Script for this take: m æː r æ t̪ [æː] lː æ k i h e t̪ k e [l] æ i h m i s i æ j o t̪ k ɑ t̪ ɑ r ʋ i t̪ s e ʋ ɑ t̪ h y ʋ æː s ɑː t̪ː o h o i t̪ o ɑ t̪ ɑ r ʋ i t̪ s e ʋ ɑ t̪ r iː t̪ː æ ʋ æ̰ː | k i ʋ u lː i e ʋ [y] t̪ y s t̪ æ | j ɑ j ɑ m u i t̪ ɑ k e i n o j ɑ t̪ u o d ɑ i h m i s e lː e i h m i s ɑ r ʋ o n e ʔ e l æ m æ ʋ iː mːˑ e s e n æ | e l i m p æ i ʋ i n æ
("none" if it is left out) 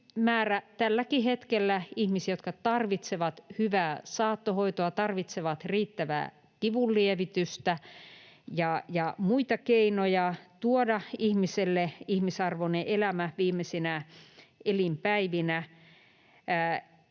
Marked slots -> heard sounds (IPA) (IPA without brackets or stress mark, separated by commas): æ, lː, i